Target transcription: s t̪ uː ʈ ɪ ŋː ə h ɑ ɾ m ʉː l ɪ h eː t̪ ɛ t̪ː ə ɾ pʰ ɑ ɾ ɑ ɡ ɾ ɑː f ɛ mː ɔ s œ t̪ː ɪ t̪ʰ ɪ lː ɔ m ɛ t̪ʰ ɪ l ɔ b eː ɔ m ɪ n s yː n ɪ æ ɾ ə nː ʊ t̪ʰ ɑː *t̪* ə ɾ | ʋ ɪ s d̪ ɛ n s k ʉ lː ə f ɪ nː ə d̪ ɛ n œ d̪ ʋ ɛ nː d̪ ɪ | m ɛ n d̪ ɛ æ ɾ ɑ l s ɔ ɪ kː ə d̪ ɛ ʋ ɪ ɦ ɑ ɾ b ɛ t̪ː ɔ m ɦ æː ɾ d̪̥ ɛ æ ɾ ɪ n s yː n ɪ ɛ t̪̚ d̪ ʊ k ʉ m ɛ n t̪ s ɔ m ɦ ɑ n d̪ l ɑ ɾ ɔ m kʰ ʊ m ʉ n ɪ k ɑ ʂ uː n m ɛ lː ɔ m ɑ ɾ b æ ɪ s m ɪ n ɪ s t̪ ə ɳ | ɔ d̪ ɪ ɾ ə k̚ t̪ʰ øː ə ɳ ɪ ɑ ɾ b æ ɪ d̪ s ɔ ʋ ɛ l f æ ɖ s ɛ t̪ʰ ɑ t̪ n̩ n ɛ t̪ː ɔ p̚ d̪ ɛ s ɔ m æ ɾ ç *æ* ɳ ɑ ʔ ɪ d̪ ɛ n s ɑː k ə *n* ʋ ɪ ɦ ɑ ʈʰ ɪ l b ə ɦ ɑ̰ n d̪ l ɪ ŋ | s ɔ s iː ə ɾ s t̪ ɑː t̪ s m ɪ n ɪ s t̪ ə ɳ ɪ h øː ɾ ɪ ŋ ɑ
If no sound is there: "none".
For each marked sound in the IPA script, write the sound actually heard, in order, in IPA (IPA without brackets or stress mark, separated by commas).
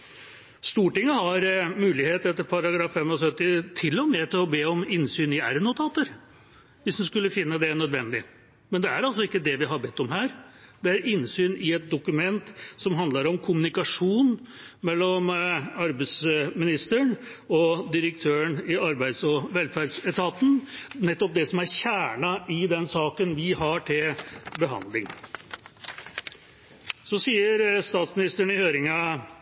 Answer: t̪, æː, n